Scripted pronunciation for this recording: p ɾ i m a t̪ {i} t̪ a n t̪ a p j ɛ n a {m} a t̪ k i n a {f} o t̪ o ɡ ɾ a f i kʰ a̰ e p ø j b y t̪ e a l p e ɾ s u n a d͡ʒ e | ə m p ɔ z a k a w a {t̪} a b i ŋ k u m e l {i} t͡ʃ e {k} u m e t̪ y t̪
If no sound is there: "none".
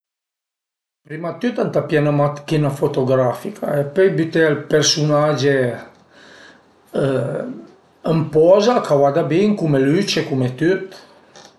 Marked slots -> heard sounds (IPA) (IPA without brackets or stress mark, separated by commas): y, m, f, d̪, y, k